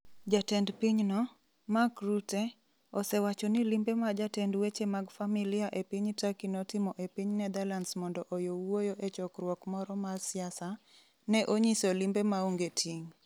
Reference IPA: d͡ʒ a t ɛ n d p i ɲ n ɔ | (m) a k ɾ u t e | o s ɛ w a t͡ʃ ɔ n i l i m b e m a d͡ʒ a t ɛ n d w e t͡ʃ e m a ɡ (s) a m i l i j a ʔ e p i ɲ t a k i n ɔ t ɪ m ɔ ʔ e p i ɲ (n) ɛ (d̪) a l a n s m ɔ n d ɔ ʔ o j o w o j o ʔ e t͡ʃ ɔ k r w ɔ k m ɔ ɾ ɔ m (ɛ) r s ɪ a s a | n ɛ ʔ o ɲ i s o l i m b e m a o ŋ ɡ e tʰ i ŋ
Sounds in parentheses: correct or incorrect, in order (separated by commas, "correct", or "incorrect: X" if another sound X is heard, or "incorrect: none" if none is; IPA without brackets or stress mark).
correct, incorrect: f, correct, correct, incorrect: a